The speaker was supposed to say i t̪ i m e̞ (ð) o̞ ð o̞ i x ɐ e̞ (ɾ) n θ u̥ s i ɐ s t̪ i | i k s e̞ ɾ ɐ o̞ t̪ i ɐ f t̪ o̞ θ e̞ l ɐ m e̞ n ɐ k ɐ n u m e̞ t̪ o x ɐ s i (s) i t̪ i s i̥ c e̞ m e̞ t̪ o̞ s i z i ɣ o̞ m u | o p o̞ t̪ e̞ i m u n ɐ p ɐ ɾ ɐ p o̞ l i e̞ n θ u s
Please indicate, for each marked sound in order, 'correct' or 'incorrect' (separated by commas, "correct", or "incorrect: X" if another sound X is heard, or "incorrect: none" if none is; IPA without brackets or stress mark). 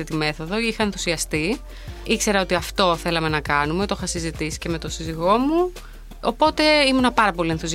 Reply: incorrect: θ, incorrect: none, incorrect: z